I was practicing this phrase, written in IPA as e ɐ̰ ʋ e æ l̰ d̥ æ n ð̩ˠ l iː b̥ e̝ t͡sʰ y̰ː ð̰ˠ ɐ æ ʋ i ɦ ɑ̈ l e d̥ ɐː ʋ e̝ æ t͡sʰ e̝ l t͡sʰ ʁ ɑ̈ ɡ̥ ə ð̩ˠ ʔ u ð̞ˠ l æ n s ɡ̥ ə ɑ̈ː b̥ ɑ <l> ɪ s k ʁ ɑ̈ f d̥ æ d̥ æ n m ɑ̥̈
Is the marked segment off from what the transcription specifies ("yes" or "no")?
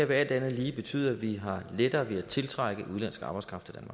yes